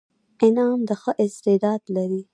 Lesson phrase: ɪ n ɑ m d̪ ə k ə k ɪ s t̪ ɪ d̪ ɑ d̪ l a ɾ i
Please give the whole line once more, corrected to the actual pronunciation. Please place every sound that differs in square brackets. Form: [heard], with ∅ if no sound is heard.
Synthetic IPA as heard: ɪ n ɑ m d̪ ə [x] ə [ʔ] ɪ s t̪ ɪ d̪ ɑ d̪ l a ɾ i